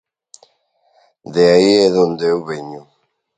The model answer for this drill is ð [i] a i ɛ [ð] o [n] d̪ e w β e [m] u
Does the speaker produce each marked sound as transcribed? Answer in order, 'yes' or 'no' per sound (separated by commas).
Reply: no, yes, yes, no